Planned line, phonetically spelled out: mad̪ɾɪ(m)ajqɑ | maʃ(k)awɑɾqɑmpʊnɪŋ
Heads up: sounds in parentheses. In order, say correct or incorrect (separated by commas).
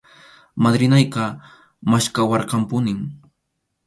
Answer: incorrect, correct